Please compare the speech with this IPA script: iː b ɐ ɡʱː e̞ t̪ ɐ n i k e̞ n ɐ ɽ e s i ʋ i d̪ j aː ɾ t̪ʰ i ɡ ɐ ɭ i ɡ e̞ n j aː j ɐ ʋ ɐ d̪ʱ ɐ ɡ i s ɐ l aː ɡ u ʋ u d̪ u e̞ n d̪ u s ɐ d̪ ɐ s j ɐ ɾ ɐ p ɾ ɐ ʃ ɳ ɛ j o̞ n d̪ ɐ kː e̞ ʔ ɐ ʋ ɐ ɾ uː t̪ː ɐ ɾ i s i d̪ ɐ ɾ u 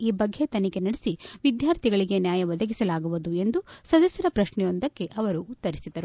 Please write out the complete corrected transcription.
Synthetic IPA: iː b ɐ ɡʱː e̞ t̪ ɐ n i k e̞ n ɐ ɽ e s i ʋ i d̪ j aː ɾ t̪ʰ i ɡ ɐ ɭ i ɡ e̞ n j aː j ɐ ʋ ɐ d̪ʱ ɐ ɡ i s ɐ l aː ɡ u ʋ u d̪ u e̞ n d̪ u s ɐ d̪ ɐ s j ɐ ɾ ɐ p ɾ ɐ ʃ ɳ ɛ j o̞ n d̪ ɐ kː e̞ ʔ ɐ ʋ ɐ ɾ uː t̪ː ɐ ɾ i s i d̪ ɐ ɾ u